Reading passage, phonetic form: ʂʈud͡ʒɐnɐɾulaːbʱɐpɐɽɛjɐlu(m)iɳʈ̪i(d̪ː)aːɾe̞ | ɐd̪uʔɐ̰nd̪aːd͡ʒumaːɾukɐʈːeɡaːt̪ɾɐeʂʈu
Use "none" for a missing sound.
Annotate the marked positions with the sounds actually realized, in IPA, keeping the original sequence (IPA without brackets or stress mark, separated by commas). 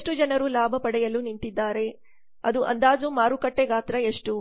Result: n, d̪ː